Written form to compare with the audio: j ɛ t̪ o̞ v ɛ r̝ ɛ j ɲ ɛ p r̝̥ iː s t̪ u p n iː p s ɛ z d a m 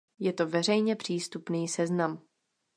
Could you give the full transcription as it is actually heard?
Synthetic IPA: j ɛ t̪ o̞ v ɛ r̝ ɛ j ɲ ɛ p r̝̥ iː s t̪ u p n iː s ɛ z n a m